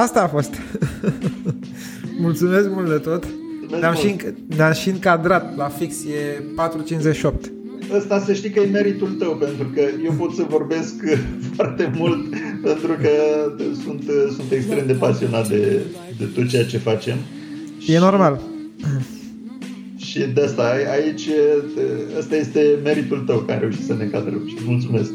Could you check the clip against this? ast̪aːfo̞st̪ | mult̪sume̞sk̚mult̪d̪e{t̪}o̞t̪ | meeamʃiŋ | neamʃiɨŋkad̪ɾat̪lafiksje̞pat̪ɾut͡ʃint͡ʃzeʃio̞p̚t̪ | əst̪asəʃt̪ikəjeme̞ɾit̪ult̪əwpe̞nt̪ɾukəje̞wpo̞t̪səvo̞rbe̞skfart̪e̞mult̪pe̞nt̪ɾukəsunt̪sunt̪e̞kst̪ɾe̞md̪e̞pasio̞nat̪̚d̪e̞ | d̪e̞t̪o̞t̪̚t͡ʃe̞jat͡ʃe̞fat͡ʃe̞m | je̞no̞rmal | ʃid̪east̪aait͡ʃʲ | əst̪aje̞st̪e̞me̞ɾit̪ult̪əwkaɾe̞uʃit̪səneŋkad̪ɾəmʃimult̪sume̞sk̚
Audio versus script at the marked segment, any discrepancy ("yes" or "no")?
no